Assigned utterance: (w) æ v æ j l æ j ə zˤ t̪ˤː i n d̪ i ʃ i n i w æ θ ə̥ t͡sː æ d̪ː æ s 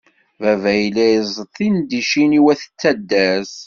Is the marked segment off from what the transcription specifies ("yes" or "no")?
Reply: yes